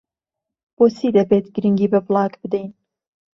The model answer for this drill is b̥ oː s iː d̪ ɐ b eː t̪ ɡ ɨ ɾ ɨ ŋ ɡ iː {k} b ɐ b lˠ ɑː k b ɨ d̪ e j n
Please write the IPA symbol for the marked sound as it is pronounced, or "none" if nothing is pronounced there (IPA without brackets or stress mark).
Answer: none